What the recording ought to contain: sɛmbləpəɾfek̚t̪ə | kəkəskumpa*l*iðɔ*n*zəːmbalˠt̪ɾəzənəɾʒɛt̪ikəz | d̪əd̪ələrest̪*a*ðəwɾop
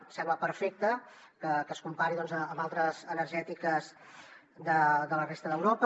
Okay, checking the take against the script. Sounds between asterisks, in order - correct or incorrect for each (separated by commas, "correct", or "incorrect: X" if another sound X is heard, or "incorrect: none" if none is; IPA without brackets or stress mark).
incorrect: ɾ, correct, incorrect: ə